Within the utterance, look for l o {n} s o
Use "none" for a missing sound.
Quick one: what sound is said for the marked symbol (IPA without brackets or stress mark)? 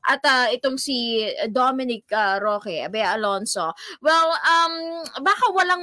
n